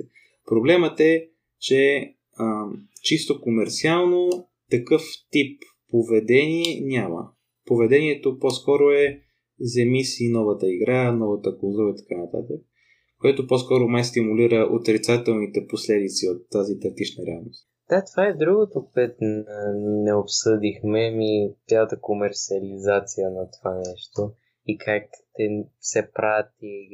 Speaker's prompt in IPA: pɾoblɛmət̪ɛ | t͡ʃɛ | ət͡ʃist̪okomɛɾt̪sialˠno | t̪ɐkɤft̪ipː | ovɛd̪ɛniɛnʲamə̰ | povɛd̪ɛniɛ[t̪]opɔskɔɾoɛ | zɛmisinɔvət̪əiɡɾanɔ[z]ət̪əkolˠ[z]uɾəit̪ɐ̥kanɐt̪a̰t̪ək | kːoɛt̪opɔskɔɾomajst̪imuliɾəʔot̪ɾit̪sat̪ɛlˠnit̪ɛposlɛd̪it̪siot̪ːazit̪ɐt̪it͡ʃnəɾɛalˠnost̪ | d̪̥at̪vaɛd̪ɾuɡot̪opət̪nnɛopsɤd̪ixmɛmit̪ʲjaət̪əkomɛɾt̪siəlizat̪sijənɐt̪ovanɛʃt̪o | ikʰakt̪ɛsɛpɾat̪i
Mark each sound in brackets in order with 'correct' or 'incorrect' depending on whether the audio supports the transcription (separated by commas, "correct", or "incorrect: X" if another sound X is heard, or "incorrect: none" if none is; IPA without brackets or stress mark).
correct, incorrect: v, correct